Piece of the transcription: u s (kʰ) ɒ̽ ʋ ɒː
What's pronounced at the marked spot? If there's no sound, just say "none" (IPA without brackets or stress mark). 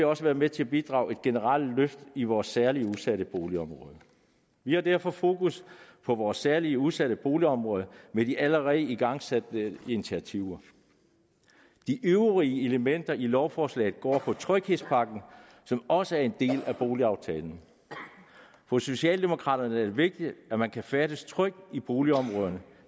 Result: pʰ